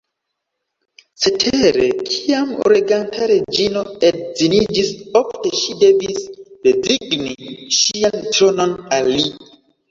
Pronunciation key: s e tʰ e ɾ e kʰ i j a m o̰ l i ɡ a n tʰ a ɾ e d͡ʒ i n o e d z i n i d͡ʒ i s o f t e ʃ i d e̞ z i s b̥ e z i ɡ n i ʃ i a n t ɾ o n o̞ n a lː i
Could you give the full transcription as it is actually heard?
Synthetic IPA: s e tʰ e ɾ e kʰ i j a m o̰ ɾ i ɡ a n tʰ a ɾ e d͡ʒ i n o e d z i n i d͡ʒ i s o f t e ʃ i d e̞ v i s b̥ e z i ɡ n i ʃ i a n t ɾ o n o̞ n a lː i